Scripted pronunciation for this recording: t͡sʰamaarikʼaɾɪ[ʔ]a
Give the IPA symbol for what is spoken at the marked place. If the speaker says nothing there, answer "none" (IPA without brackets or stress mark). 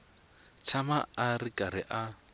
ʔ